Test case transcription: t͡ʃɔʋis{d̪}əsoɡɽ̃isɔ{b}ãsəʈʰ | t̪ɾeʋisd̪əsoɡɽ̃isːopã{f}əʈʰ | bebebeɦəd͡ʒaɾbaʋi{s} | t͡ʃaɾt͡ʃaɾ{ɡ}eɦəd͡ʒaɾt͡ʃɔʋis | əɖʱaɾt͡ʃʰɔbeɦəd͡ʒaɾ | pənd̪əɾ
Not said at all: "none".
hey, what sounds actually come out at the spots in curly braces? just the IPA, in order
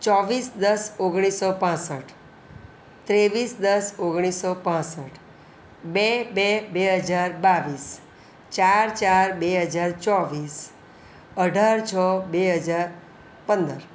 d̪, p, s, s, b

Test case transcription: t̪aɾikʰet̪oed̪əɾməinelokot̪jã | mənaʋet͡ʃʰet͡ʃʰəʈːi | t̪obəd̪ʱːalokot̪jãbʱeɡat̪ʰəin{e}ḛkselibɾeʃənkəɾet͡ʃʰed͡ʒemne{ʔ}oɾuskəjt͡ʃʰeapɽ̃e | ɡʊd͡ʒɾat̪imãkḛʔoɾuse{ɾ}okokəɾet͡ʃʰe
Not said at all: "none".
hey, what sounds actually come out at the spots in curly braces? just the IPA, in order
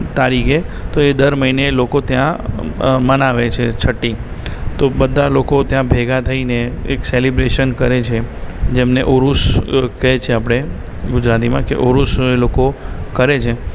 e, ʔ, l

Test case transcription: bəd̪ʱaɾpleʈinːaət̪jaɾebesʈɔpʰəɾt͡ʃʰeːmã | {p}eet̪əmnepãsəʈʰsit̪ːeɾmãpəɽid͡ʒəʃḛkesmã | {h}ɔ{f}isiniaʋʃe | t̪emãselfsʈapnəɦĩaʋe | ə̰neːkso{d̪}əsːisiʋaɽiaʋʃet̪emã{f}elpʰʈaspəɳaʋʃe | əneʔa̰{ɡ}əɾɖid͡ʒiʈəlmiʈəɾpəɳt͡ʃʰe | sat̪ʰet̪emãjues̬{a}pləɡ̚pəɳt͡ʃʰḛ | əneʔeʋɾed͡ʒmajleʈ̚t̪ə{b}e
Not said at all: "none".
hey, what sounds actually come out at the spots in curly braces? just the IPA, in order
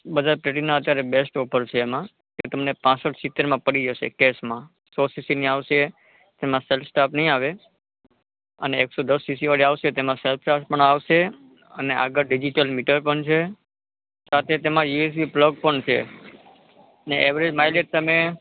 k, s, s, d̪, s, ɡ, i, m

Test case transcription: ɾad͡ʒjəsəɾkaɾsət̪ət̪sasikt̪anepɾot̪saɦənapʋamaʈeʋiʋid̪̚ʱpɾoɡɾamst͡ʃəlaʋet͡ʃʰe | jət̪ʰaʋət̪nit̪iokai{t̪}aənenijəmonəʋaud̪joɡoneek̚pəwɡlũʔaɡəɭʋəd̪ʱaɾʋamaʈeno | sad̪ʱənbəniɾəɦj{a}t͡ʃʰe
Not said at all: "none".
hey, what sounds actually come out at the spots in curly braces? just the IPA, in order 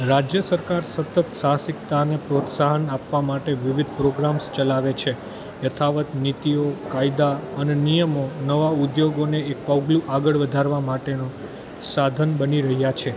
d̪, a

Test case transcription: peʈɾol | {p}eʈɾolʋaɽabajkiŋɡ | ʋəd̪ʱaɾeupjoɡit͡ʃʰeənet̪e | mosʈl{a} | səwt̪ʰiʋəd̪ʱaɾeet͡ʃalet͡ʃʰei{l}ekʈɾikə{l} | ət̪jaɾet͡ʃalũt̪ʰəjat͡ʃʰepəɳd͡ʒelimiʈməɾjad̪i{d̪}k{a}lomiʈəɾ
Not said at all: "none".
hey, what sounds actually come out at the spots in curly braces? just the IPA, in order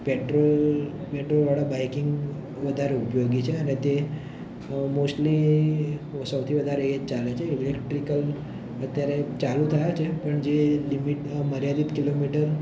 p, i, l, l, t̪, i

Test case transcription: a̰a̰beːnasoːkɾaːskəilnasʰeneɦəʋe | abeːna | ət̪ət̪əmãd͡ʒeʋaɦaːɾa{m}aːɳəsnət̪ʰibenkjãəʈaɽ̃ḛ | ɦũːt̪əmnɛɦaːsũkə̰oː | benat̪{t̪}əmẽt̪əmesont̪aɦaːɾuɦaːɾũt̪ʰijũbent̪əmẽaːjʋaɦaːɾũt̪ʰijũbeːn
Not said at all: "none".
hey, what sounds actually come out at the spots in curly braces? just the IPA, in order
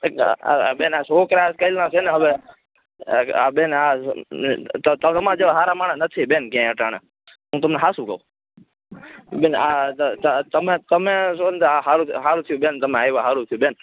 m, t̪

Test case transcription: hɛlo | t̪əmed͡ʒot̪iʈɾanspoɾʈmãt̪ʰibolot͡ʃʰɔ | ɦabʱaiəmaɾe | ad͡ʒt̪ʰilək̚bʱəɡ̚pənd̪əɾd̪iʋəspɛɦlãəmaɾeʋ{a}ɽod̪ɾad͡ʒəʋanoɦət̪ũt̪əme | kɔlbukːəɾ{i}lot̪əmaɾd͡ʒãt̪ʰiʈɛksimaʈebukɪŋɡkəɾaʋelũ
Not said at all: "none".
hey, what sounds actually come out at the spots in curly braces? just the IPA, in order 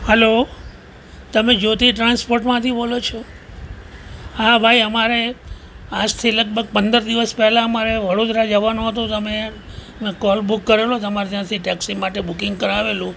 ə, e

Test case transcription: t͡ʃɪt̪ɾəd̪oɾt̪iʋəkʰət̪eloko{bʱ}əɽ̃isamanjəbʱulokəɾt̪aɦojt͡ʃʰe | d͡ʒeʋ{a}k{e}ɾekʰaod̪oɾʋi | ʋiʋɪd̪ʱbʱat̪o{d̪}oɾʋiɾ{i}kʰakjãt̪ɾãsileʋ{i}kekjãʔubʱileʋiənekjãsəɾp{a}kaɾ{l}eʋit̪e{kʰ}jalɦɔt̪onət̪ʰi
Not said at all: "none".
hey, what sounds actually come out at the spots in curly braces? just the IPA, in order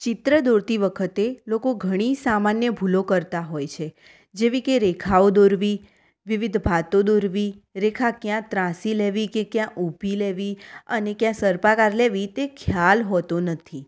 ɡʱ, i, e, d̪, e, i, a, l, kʰ

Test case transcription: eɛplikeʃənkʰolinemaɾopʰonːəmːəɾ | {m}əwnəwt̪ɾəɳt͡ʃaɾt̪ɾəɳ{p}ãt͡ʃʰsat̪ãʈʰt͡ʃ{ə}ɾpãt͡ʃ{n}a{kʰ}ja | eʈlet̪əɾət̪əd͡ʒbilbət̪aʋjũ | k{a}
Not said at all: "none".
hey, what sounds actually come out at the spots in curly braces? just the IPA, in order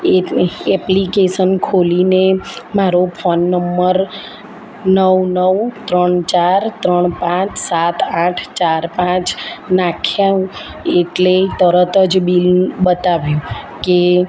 n, p, a, n, kʰ, e

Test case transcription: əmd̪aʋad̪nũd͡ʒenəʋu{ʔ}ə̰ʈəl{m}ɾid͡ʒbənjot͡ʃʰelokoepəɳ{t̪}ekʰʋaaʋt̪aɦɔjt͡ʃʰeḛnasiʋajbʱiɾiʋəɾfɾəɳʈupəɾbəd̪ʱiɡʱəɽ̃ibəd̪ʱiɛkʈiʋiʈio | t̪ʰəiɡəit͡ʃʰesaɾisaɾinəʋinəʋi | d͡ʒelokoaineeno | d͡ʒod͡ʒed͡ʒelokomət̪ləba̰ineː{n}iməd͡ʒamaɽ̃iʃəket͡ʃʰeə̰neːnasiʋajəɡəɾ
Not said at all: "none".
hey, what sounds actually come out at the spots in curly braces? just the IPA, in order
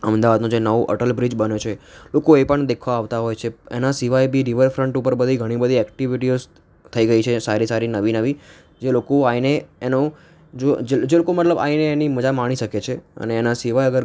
ʔ, b, d̪, n

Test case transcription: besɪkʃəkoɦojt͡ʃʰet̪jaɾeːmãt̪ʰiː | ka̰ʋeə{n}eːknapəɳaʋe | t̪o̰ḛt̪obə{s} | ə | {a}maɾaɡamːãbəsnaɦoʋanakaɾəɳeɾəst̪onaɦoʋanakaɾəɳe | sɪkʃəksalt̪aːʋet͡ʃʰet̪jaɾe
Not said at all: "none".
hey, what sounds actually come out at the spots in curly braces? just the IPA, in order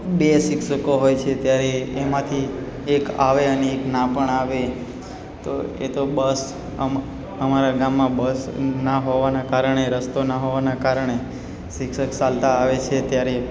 n, s, ə

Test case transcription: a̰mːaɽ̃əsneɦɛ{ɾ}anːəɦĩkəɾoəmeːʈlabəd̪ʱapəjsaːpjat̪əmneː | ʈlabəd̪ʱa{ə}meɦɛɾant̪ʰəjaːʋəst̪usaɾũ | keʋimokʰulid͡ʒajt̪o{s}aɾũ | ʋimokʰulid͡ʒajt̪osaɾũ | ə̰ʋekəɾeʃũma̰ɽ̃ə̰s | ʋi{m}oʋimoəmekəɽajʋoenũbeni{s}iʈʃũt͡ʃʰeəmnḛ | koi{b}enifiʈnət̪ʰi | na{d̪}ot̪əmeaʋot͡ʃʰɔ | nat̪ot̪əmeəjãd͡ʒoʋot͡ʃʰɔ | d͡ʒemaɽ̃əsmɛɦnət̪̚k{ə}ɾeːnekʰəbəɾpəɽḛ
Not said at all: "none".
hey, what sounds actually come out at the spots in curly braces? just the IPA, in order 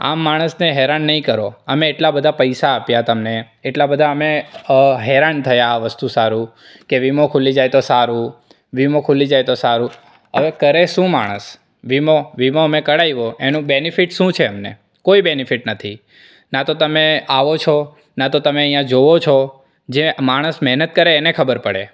ɾ, ə, s, m, f, b, t̪, ə

